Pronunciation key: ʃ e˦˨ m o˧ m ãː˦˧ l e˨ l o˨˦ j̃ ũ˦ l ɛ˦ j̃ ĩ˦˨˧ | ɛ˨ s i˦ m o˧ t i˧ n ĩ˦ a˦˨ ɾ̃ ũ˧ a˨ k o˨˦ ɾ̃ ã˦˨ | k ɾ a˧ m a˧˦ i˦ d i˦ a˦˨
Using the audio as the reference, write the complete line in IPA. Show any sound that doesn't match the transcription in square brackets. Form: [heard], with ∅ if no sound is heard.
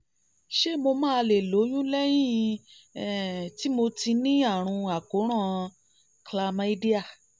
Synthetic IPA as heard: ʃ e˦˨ m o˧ m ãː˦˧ l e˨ l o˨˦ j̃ ũ˦ l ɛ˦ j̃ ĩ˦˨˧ | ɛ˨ [t] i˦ m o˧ t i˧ n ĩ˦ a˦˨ ɾ̃ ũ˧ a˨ k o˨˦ ɾ̃ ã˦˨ | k [l] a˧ m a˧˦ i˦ d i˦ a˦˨